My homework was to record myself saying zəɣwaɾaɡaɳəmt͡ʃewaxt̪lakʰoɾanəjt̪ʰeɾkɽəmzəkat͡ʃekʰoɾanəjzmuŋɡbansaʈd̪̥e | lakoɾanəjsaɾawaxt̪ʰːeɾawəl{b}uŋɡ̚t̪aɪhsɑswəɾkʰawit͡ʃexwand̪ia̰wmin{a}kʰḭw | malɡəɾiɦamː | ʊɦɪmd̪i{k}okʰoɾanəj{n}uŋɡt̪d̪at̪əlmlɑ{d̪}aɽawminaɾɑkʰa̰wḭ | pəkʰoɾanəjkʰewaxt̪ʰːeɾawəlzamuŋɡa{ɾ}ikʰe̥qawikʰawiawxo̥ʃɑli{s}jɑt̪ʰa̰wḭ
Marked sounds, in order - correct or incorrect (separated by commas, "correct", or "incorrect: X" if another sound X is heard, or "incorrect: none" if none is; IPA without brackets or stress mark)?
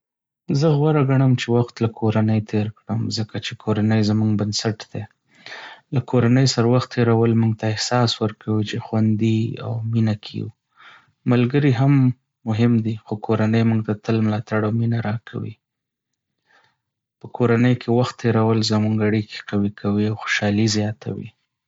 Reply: incorrect: m, correct, incorrect: x, incorrect: m, incorrect: t̪, incorrect: ɽ, incorrect: z